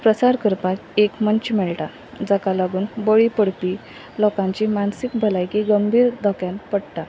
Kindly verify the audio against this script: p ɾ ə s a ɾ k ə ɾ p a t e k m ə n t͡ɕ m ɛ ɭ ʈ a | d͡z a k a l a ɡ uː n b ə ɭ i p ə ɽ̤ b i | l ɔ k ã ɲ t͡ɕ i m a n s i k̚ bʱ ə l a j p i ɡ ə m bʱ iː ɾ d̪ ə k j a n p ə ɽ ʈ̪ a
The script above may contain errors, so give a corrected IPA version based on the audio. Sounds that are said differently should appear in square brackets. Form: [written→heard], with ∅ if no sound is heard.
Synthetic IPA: p ɾ ə s a ɾ k ə ɾ p a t e k m ə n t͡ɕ m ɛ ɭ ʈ a | d͡z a k a l a ɡ uː n b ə ɭ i p ə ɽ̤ [b→p] i | l ɔ k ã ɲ t͡ɕ i m a n s i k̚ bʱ ə l a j [p→k] i ɡ ə m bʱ iː ɾ d̪ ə k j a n p ə ɽ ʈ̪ a